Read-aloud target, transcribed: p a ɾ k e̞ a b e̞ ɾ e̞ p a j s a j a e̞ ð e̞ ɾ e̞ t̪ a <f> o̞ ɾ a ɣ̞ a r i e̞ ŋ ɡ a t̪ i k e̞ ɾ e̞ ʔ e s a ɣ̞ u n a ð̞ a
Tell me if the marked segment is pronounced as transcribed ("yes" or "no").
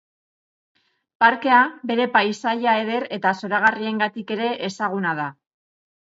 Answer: no